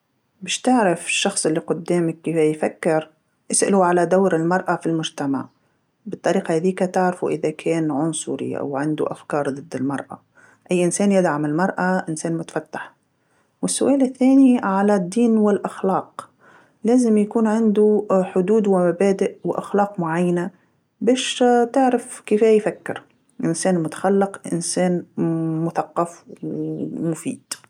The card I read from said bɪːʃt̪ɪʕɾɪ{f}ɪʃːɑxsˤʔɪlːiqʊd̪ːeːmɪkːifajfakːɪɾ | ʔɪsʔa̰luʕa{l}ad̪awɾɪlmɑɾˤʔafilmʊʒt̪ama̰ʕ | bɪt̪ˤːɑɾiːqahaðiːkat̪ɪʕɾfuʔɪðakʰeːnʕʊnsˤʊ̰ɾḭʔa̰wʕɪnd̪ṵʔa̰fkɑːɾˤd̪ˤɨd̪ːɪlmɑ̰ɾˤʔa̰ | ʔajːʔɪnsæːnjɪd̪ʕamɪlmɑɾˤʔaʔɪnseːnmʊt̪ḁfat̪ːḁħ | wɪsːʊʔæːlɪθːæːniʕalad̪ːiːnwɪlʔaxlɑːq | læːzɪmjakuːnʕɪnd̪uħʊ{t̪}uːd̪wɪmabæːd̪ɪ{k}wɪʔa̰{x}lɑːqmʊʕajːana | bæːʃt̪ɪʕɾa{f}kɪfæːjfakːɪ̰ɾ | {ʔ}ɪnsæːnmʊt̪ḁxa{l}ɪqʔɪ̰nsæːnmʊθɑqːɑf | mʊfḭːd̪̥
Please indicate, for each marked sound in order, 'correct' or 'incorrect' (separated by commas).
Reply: correct, correct, incorrect, incorrect, correct, correct, correct, incorrect